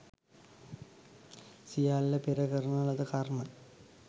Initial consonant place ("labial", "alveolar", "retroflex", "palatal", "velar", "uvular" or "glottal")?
alveolar